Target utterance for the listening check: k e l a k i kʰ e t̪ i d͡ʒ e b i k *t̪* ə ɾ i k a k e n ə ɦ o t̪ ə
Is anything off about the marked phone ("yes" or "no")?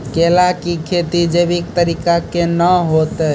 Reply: no